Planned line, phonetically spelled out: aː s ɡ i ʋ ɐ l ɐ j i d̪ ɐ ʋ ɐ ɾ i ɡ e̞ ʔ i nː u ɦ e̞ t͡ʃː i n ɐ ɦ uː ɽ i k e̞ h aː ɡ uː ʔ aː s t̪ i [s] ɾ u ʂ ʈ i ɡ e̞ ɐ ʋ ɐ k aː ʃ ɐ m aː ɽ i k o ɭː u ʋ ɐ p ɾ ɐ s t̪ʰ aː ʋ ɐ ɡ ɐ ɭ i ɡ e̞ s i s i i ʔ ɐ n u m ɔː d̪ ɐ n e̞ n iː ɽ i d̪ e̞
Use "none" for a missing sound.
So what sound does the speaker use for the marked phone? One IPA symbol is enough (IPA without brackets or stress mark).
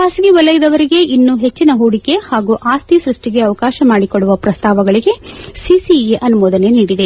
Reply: s